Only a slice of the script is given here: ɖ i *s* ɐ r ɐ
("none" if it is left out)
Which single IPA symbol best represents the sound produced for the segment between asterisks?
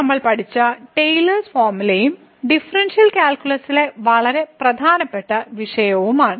f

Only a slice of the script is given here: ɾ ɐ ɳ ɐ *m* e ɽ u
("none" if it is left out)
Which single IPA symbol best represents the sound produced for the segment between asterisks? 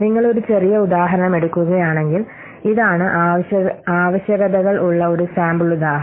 m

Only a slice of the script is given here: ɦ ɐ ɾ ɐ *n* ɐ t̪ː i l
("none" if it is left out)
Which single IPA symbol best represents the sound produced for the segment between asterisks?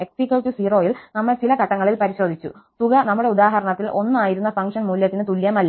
ɳ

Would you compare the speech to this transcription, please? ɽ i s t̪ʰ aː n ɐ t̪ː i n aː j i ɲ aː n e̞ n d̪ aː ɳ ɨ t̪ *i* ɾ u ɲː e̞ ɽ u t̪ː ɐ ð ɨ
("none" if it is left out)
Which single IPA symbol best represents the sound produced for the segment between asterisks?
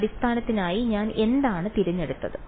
i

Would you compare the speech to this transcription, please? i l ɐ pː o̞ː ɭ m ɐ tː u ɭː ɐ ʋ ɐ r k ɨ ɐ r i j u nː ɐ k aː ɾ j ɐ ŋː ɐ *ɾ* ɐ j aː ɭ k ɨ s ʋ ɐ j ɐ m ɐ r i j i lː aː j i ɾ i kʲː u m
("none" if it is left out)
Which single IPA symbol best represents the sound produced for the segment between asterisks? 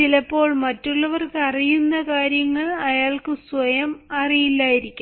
ɭ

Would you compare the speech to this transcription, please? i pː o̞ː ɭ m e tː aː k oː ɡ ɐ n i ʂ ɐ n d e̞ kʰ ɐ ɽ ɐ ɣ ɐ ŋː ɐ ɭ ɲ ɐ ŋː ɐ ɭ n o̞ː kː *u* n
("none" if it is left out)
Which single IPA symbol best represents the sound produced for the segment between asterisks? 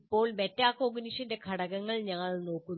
u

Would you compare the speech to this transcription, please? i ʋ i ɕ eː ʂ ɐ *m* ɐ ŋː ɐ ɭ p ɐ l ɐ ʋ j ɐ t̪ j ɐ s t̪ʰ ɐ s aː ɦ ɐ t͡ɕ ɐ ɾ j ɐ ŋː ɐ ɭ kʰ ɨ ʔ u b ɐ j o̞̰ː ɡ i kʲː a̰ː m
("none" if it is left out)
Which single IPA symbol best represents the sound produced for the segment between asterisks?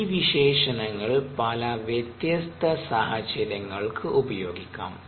n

